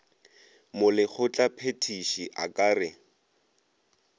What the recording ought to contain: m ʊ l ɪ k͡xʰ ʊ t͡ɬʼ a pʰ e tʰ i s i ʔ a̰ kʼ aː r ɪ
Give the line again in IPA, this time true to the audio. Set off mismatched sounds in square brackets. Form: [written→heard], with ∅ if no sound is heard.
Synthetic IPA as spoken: m ʊ l ɪ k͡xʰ ʊ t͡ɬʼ a pʰ e tʰ i [s→ʃ] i ʔ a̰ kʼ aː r ɪ